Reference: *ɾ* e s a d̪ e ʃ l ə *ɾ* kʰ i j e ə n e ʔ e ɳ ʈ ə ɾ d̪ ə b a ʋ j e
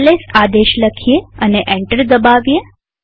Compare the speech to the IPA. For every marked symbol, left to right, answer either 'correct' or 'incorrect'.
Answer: incorrect, incorrect

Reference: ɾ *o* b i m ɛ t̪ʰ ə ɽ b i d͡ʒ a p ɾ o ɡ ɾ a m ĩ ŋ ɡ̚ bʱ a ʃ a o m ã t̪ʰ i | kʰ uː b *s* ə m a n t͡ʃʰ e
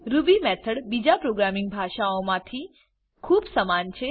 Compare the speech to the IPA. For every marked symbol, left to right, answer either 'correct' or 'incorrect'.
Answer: incorrect, correct

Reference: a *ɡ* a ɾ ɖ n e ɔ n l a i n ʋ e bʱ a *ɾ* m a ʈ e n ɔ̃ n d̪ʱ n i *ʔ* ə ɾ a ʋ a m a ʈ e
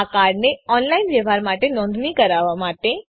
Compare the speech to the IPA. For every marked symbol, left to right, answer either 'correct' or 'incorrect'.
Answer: incorrect, correct, incorrect

